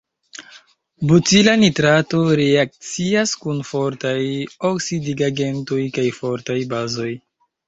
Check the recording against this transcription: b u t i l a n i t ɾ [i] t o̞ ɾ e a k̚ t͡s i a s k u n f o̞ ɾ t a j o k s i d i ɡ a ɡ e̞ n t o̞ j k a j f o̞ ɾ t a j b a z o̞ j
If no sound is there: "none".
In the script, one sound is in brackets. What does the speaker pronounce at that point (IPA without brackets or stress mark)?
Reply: a